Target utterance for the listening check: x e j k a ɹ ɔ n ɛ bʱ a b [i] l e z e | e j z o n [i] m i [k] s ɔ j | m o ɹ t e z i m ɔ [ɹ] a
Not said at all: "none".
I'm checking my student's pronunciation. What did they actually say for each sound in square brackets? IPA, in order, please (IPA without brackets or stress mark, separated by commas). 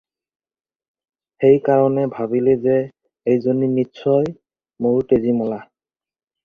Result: i, i, t, l